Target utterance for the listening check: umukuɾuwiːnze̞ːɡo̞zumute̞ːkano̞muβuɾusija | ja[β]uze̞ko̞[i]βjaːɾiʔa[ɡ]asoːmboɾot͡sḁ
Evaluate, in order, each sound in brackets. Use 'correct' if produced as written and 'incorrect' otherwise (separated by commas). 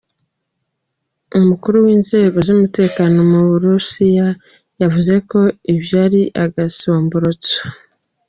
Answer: incorrect, correct, correct